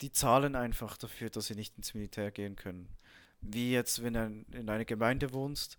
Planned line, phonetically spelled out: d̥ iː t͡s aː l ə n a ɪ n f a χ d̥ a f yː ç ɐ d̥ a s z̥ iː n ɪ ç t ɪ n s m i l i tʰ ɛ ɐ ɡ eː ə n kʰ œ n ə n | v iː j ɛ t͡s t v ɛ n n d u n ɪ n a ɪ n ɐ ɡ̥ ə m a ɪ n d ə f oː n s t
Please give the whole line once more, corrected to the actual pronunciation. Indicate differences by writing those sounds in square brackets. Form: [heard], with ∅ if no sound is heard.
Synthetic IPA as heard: d̥ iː t͡s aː l ə n a ɪ n f a χ d̥ a f yː [∅] ɐ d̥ a s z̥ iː n ɪ ç t ɪ n s m i l i tʰ [ɛː] ɐ ɡ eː ə n kʰ œ n ə n | v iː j ɛ t͡s t v ɛ n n d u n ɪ n a ɪ n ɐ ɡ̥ ə m a ɪ n d ə [v] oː n s t